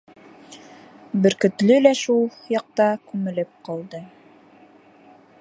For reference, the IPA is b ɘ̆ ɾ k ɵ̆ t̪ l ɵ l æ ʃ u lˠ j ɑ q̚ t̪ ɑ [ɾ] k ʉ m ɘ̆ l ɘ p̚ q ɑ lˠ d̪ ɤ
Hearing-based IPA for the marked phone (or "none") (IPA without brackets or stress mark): none